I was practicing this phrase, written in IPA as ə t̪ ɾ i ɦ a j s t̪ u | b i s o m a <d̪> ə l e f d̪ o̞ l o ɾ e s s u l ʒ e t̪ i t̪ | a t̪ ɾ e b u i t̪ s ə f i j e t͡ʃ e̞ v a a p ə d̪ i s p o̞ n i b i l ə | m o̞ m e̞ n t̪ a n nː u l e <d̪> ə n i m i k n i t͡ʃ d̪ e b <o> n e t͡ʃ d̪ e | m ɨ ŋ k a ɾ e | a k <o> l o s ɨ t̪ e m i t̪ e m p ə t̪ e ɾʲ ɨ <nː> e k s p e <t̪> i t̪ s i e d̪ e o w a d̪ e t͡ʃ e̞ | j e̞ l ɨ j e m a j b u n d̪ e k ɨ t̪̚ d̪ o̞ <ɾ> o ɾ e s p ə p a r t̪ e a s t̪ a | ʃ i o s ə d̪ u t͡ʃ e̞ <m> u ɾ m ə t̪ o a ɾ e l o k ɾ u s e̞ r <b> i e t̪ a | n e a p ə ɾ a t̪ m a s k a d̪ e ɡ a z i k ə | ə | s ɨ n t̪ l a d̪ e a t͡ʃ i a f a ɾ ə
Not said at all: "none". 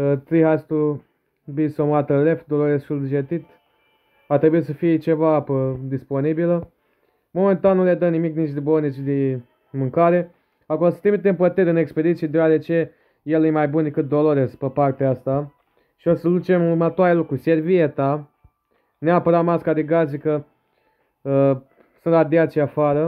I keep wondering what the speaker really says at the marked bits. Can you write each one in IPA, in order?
t̪, d̪, o, o, n, d̪, l, m, v

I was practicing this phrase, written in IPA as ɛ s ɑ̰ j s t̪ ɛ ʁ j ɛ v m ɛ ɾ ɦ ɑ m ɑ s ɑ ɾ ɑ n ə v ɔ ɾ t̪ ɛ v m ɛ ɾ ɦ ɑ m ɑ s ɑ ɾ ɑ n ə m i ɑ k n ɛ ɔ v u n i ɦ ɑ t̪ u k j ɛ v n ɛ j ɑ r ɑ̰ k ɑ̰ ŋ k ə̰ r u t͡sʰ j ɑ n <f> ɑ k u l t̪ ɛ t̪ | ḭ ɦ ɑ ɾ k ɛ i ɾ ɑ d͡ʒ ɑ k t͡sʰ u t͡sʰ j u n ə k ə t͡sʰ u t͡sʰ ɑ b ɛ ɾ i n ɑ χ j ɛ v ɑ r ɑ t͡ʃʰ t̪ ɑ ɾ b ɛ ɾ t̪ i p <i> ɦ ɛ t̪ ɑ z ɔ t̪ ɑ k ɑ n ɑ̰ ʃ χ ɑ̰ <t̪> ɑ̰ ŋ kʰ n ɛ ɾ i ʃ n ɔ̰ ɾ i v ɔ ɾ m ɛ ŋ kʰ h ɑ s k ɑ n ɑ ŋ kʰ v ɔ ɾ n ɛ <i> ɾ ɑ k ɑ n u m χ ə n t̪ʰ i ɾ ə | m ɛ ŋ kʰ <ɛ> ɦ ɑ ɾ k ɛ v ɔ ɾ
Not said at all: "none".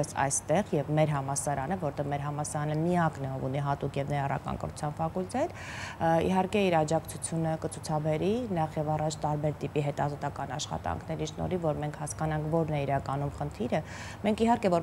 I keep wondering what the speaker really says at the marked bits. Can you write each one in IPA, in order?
f, i, t̪, i, i

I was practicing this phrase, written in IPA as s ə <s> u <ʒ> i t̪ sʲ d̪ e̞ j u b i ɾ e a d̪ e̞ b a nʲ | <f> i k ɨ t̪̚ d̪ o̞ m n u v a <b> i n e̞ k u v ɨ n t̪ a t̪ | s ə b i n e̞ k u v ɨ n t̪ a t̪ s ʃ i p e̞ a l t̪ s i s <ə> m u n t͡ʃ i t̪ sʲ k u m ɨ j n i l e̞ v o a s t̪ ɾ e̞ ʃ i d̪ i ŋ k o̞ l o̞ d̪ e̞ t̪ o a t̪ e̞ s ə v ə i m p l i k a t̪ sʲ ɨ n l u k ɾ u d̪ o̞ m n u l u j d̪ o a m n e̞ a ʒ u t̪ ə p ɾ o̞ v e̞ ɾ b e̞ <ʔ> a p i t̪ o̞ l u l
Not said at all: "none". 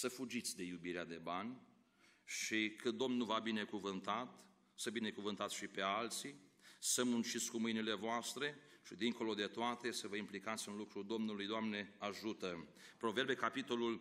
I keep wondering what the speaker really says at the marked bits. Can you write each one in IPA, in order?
f, d͡ʒ, ʃ, b, ə, k

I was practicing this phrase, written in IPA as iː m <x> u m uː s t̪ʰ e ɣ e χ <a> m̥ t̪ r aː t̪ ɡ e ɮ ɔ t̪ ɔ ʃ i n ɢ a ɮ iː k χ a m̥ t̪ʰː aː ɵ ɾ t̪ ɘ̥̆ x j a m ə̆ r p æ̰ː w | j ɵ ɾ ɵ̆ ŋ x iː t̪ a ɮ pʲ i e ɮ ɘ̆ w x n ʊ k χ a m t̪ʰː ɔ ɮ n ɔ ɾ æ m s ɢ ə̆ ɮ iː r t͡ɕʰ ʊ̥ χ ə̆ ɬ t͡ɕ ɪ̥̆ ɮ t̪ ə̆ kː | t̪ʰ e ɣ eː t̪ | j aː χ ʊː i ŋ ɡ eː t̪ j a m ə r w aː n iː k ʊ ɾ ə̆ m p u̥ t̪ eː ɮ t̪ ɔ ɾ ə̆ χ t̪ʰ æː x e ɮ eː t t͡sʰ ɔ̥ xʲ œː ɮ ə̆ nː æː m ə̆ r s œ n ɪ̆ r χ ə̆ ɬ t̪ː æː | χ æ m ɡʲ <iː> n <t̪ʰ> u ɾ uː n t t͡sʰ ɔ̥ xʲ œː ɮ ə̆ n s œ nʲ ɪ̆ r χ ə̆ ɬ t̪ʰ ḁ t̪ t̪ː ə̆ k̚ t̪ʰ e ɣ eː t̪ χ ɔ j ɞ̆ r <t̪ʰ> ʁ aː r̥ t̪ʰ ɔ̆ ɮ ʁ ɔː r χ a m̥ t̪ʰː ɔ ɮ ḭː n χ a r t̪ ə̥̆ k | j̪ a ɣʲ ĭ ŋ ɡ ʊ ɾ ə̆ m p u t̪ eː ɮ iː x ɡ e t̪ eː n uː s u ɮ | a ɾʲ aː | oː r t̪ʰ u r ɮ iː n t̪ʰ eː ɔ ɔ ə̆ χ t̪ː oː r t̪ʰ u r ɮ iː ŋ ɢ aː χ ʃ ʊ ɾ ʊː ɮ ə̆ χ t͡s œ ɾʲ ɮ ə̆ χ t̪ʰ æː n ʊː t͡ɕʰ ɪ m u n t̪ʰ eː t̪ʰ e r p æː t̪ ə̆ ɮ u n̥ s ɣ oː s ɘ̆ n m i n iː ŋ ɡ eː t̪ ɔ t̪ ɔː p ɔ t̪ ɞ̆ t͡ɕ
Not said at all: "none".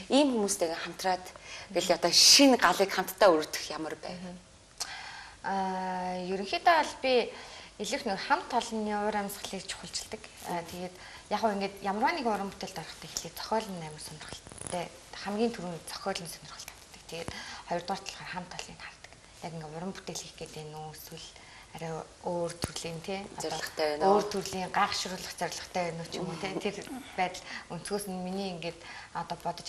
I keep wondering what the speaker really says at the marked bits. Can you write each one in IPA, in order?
x, a, iː, t̪ʰ, t̪

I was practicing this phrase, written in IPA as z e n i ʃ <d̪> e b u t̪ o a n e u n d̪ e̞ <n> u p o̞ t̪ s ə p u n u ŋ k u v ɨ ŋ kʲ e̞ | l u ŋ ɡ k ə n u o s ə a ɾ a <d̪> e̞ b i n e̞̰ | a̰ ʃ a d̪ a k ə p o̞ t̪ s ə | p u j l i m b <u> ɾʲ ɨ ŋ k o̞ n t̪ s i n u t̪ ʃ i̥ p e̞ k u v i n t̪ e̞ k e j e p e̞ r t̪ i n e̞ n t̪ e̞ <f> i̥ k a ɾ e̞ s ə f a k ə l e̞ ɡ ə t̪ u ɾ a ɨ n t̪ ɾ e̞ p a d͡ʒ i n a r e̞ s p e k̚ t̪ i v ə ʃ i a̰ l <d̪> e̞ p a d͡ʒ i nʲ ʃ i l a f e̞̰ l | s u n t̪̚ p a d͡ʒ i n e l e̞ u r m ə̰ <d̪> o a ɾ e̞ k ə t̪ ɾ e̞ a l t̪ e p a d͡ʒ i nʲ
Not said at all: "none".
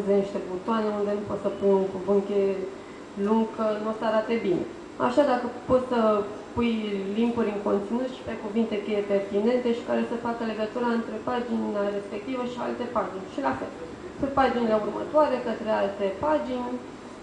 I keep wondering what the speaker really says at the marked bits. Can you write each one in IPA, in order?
t̪, n, t̪, u, ʃ, t̪, t̪

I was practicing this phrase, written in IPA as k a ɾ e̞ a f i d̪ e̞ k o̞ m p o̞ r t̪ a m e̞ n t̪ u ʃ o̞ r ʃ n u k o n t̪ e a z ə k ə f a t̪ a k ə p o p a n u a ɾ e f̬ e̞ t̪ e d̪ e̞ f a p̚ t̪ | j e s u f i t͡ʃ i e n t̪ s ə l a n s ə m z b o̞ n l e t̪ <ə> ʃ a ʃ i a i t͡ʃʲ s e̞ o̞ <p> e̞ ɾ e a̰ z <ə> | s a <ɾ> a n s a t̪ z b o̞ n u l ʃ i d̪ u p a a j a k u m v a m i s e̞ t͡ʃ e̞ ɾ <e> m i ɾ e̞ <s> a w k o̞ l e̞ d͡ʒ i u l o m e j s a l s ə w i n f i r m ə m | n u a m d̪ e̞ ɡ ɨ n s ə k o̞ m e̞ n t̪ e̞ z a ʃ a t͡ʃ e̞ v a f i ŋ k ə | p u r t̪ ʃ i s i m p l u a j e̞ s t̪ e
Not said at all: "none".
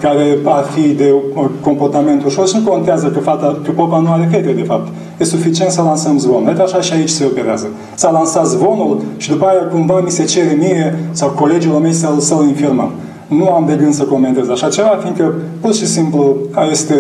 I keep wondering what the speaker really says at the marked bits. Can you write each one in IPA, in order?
a, p, ə, l, e, s

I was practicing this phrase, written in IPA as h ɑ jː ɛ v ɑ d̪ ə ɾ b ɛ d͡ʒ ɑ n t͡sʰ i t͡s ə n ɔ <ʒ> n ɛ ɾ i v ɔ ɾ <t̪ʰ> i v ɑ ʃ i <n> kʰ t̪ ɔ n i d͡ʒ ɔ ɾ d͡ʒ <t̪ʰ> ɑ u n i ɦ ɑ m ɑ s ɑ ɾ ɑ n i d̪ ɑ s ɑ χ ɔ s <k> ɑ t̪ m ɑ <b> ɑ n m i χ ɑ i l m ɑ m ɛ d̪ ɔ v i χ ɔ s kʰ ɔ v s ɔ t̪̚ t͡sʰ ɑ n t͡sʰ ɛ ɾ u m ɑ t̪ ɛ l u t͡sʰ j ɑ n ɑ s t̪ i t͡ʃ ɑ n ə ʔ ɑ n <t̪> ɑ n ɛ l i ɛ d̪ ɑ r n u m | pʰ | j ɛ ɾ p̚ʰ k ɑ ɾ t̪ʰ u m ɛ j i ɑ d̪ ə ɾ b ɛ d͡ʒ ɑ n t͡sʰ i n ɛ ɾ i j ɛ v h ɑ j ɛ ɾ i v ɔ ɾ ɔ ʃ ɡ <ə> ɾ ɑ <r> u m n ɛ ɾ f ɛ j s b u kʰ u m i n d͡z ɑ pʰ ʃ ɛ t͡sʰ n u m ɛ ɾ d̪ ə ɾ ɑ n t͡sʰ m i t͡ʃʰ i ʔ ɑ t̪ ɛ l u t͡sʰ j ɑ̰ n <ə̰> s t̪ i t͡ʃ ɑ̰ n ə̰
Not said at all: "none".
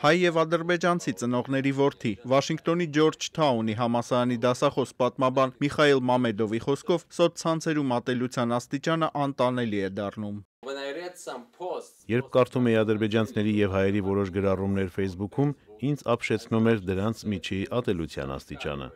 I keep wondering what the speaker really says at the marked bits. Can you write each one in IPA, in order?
ʁ, t̪ʰ, ŋ, t̪ʰ, p, b, t̪, ə, r, ɑ̰

